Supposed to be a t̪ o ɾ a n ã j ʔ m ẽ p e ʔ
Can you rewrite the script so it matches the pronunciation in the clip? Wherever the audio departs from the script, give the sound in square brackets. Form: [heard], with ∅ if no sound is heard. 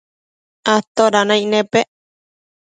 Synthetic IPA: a t̪ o ɾ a n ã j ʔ [n] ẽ p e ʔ